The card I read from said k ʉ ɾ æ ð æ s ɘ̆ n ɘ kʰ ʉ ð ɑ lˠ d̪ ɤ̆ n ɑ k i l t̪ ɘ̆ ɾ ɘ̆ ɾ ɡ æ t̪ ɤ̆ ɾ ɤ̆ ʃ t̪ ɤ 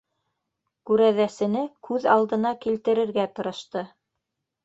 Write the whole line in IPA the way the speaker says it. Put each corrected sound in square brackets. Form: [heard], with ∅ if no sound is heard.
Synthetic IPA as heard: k ʉ ɾ æ ð æ s ɘ̆ n ɘ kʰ ʉ ð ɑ lˠ d̪ ɤ̆ n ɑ k i l t̪ ɘ̆ ɾ ɘ̆ ɾ ɡ æ t̪ ɤ̆ ɾ ɤ̆ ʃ t̪ ɤ